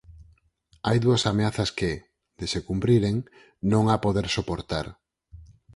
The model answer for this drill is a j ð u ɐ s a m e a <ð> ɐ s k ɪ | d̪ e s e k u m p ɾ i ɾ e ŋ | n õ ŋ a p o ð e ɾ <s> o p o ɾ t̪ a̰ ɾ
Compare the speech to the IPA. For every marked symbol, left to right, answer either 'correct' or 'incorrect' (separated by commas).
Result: incorrect, correct